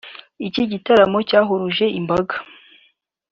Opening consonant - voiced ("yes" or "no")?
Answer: no